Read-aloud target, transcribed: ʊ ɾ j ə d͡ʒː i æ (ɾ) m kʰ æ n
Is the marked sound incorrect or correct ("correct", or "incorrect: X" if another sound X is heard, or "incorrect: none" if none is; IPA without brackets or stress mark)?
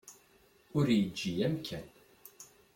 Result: incorrect: none